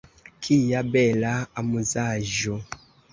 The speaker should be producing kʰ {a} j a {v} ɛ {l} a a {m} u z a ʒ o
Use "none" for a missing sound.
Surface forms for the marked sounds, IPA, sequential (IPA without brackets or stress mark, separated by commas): i, b, l, m